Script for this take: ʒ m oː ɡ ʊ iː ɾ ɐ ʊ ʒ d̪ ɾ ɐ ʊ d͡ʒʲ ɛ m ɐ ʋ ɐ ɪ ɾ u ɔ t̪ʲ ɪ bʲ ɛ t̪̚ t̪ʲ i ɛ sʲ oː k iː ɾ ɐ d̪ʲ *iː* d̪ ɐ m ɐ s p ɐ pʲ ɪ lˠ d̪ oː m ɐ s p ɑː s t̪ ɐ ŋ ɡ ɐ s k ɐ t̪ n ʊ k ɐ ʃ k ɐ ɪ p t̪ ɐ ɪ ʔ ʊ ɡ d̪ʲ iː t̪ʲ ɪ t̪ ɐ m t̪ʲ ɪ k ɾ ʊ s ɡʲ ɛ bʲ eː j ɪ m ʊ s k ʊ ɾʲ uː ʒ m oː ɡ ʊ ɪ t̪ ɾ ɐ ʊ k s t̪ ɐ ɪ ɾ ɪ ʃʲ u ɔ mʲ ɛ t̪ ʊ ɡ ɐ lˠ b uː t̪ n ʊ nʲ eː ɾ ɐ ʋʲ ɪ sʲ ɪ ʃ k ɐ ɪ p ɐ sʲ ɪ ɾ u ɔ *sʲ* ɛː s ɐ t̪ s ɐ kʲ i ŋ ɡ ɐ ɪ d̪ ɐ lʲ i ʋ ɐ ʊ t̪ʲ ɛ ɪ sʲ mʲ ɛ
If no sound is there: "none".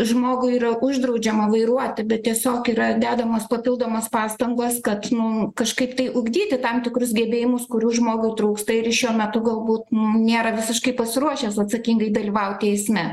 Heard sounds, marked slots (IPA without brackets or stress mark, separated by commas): æː, ʃʲ